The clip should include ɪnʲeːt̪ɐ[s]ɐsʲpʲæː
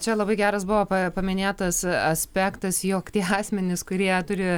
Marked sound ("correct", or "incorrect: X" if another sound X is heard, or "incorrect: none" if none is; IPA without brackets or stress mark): correct